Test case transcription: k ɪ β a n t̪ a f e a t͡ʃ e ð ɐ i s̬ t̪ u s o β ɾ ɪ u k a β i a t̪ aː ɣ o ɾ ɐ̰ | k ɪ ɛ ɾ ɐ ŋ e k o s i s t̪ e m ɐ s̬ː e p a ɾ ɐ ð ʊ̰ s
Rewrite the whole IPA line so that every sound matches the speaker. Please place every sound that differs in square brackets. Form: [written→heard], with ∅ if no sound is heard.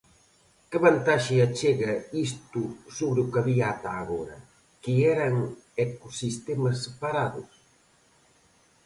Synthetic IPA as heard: k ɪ β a n t̪ a [f→ʃ] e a t͡ʃ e [ð→ɣ] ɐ i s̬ t̪ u s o β ɾ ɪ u k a β i a t̪ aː ɣ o ɾ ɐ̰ | k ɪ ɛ ɾ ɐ ŋ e k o s i s t̪ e m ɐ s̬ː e p a ɾ [ɐ→a] ð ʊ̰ s